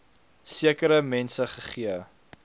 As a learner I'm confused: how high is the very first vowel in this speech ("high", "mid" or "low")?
high